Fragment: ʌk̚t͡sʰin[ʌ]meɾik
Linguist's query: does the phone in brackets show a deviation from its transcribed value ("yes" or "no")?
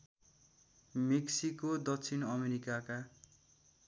no